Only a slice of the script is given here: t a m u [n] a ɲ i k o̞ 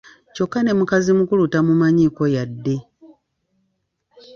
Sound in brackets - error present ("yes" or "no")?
yes